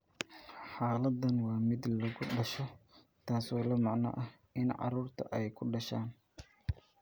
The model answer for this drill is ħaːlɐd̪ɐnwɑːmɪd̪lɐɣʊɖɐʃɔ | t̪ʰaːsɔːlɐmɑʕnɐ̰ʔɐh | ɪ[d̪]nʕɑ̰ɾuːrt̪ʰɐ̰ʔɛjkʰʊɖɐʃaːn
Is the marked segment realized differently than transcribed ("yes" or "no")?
yes